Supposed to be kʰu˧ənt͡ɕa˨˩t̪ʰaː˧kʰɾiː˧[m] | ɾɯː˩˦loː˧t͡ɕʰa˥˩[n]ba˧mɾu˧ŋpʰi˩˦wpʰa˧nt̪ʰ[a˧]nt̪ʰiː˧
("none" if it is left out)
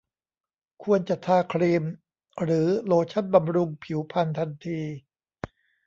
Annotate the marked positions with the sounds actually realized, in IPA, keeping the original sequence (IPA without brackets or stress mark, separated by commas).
m, n, a˧